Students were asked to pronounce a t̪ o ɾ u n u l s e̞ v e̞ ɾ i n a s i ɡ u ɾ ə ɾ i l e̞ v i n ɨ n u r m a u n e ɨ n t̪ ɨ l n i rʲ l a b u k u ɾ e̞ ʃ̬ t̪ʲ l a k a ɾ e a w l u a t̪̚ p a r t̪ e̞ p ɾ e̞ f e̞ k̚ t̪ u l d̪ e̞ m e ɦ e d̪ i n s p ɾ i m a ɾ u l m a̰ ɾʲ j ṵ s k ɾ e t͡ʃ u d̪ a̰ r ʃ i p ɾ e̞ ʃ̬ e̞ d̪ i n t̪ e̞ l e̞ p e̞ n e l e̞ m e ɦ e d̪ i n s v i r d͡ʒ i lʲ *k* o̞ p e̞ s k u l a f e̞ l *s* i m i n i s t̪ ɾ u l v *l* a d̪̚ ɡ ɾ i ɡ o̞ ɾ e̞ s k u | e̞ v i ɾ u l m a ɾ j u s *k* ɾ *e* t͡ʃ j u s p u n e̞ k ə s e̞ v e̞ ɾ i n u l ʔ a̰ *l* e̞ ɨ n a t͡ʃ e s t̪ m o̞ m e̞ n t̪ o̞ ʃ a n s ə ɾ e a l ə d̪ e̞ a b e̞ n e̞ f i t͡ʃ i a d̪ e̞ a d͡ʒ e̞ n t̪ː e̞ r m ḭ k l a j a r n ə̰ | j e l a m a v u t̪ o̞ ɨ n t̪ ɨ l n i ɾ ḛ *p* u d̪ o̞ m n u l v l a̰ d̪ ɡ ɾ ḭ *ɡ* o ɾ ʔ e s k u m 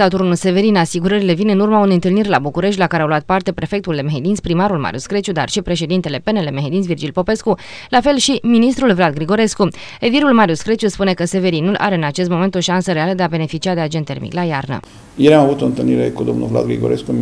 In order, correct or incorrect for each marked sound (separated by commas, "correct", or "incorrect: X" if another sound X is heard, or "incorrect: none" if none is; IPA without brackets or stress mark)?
incorrect: p, incorrect: ʃ, correct, correct, correct, incorrect: ɾ, incorrect: k, correct